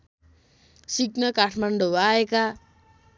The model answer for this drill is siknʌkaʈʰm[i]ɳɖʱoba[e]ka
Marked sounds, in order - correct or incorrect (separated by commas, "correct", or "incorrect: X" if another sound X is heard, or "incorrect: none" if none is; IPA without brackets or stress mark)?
incorrect: a, correct